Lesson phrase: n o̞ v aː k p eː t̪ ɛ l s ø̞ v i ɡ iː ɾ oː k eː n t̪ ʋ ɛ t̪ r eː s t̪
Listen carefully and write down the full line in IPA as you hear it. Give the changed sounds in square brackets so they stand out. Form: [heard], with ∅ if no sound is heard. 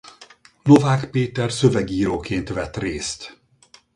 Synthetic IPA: n o̞ v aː k p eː t̪ ɛ [r] s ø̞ v [ɛ] ɡ iː ɾ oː k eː n t̪ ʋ ɛ t̪ r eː s t̪